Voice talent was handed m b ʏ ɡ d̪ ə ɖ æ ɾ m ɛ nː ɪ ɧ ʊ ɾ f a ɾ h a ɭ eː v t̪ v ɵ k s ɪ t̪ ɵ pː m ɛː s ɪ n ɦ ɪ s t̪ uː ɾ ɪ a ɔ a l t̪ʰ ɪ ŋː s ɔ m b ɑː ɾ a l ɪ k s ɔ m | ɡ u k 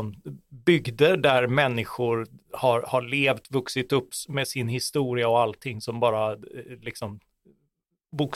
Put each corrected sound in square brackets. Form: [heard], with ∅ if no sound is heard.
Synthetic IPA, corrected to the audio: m b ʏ ɡ d̪ ə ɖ æ ɾ m ɛ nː ɪ ɧ ʊ ɾ [h] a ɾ h a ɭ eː v t̪ v ɵ k s ɪ t̪ ɵ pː m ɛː s ɪ n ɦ ɪ s t̪ uː ɾ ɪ a ɔ a l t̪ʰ ɪ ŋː s ɔ m b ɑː ɾ a l ɪ k s ɔ m | [b] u k